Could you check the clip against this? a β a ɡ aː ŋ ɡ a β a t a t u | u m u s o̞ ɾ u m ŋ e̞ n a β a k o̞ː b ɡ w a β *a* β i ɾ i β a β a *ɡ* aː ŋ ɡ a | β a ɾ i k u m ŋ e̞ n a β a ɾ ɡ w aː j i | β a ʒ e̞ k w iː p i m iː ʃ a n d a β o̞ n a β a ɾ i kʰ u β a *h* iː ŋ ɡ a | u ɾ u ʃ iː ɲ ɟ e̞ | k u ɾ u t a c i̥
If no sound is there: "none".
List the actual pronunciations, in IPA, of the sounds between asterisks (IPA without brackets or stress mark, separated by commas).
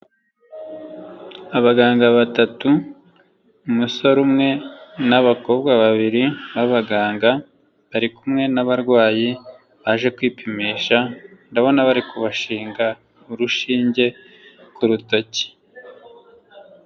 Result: a, ɡ, ʃ